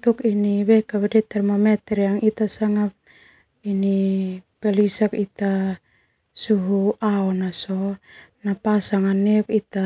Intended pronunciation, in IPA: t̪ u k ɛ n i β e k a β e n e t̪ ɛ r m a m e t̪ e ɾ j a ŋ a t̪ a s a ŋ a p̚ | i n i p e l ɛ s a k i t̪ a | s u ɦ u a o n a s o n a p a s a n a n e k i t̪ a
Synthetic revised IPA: t̪ u k i n i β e k a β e d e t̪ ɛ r m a m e t̪ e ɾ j a ŋ i t̪ a s a ŋ a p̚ | i n i p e l i s a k i t̪ a | s u ɦ u a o n a s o n a p a s a ŋ a n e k i t̪ a